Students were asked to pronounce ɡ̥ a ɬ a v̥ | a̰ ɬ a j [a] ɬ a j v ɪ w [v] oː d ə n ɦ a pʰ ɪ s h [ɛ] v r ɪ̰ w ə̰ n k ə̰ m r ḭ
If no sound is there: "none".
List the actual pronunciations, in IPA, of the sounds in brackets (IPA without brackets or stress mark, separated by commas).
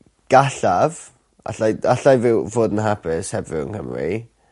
a, v, ɛ